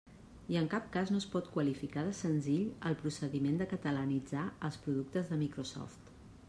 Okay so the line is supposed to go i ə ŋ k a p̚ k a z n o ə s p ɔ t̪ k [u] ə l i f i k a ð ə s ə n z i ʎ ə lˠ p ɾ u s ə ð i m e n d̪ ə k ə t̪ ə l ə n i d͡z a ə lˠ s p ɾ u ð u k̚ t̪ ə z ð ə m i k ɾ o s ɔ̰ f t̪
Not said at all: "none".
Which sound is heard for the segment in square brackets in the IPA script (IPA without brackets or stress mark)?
w